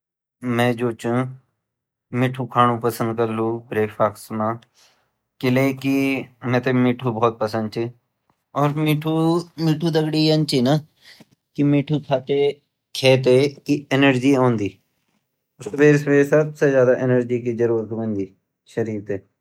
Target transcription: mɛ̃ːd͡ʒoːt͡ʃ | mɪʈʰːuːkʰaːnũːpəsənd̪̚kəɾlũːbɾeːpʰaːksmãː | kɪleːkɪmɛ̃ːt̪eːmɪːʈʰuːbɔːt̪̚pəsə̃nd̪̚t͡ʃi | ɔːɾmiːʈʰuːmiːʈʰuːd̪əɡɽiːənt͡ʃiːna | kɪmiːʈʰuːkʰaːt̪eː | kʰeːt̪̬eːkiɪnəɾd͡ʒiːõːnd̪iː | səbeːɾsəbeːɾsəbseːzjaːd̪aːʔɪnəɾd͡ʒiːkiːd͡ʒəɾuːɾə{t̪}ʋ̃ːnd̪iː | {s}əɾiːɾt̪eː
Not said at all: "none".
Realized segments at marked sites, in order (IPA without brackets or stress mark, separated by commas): t̪, ʃ